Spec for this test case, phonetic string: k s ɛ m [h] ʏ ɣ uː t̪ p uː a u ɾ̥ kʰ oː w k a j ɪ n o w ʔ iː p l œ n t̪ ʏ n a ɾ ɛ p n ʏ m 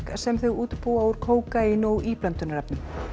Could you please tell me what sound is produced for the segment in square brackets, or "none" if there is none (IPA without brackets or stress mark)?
θ